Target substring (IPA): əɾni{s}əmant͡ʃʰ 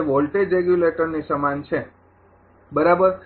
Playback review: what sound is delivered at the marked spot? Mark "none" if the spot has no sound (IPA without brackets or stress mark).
s